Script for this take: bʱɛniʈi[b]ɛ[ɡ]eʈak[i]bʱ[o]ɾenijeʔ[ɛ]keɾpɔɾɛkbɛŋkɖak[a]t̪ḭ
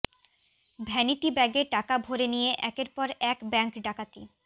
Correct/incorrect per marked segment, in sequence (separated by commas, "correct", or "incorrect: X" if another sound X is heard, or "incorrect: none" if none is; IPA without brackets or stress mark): correct, correct, incorrect: a, correct, correct, correct